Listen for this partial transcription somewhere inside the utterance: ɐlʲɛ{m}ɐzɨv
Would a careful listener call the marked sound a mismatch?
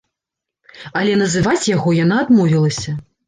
yes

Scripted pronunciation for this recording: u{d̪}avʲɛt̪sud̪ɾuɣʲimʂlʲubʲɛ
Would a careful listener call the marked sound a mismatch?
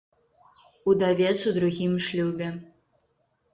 no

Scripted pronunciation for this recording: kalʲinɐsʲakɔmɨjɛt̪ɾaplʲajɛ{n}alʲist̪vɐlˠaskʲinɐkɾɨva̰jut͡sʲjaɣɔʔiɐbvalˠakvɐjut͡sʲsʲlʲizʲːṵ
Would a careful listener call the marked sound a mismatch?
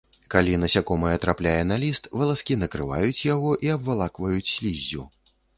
no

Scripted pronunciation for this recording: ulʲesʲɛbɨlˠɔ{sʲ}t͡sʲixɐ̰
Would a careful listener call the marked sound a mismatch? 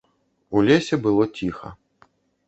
yes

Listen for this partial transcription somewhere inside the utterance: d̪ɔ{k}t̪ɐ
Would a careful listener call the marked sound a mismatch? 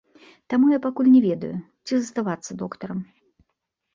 no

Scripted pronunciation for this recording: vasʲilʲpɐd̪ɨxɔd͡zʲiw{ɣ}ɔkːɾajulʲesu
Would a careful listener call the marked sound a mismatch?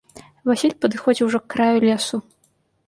yes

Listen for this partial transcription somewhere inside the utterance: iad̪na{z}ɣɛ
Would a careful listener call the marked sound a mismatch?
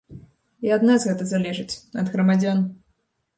no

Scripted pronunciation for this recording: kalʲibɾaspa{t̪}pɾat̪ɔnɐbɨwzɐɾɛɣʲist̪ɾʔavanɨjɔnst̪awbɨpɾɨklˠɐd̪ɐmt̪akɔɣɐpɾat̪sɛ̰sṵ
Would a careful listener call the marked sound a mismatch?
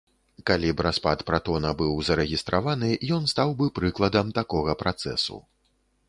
no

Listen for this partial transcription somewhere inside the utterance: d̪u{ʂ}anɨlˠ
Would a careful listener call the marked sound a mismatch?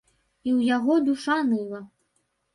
no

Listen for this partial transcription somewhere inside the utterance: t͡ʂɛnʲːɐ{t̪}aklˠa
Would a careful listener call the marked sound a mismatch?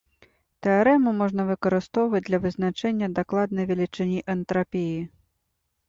yes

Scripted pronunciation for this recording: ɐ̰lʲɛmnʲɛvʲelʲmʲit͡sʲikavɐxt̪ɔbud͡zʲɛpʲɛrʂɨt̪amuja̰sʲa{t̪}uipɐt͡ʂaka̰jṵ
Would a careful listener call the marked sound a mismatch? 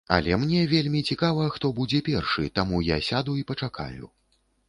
yes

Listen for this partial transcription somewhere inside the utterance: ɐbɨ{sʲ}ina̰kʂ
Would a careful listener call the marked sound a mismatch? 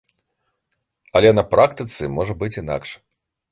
yes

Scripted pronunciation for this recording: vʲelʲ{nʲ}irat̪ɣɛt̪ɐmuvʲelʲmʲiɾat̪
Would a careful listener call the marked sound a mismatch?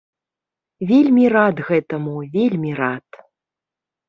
yes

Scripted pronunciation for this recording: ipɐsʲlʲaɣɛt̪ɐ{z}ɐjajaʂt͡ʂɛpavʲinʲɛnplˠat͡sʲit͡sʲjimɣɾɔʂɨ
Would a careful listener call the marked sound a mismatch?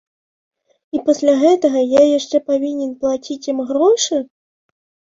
yes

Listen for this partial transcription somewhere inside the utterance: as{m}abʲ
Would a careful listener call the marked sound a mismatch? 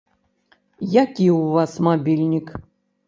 no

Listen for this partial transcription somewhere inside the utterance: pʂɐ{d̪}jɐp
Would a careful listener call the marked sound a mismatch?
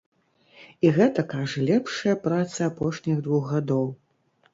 yes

